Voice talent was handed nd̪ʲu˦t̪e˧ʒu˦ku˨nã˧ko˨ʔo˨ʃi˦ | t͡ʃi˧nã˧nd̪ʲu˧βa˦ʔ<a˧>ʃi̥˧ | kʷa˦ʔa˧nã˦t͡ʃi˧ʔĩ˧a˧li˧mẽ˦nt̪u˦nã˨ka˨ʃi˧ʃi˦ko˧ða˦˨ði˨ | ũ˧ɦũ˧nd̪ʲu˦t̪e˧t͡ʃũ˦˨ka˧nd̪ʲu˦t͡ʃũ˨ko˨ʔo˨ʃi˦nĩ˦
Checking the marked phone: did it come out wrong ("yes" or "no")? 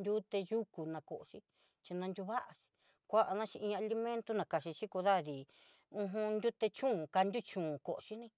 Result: no